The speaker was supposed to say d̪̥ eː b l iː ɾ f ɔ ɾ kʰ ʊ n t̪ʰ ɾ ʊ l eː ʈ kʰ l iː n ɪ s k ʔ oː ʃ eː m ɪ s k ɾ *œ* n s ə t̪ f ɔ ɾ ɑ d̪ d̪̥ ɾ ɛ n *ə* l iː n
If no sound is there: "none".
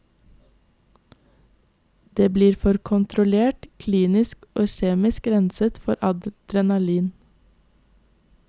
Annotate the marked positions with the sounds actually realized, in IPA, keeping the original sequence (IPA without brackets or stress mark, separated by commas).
ɛ, ɑ